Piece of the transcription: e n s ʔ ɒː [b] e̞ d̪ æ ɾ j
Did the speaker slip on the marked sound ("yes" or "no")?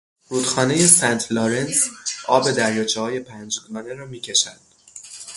no